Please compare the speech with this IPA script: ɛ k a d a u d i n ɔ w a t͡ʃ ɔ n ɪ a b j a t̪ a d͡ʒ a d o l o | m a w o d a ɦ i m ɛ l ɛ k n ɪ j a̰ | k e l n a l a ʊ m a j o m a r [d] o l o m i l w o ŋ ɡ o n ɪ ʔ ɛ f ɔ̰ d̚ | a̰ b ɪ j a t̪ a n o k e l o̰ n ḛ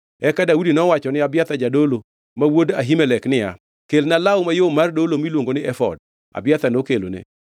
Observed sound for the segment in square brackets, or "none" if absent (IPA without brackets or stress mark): d